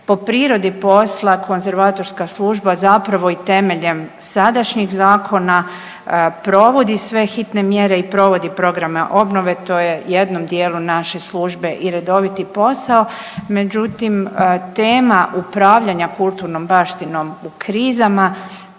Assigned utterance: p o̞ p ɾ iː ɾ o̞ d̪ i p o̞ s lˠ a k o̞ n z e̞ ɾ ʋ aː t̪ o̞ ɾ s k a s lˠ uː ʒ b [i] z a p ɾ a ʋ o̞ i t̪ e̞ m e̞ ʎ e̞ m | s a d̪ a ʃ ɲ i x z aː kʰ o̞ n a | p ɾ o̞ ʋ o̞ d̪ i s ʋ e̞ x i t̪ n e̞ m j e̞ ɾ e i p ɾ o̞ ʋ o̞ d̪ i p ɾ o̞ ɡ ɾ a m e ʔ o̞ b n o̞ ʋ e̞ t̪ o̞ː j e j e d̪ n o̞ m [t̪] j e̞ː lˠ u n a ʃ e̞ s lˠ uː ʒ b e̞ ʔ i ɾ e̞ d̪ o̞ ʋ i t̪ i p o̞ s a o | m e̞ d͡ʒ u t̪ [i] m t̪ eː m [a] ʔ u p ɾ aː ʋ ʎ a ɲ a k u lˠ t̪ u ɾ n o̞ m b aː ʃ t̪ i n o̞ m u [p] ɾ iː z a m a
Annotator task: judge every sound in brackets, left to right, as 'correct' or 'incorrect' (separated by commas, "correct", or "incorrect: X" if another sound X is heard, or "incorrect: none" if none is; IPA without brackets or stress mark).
incorrect: a, incorrect: d̪, correct, correct, incorrect: k